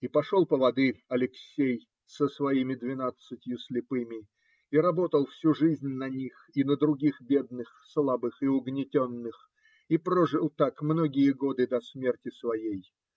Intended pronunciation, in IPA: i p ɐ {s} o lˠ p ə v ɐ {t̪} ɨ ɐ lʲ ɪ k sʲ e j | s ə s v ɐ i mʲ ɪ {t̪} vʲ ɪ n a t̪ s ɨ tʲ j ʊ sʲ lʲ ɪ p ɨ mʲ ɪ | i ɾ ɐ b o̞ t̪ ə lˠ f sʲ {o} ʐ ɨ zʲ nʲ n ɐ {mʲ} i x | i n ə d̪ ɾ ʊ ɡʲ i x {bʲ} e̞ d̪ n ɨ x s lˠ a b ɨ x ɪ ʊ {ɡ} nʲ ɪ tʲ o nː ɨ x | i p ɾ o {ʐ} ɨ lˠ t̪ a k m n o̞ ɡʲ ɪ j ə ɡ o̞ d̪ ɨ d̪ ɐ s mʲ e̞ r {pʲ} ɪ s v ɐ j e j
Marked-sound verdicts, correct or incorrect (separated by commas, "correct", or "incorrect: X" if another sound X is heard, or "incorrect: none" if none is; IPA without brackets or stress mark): incorrect: ʂ, incorrect: d̪, incorrect: d̪, incorrect: u, incorrect: nʲ, correct, correct, correct, incorrect: tʲ